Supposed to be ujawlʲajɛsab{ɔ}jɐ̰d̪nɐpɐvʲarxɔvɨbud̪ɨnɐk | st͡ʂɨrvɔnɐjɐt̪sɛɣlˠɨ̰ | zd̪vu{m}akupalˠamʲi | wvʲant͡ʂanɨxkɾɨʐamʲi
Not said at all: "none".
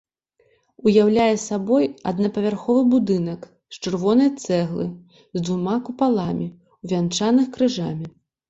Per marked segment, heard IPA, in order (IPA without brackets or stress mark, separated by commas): ɔ, m